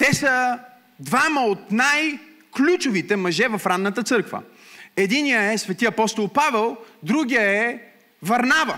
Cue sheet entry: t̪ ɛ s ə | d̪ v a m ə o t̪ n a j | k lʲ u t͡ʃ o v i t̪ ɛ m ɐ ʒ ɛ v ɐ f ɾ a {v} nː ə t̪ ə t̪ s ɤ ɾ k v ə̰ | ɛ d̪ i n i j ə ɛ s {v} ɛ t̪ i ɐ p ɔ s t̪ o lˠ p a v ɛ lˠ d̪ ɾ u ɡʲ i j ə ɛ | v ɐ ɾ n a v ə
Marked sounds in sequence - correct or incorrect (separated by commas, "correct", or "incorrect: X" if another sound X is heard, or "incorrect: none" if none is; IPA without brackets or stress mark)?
incorrect: none, correct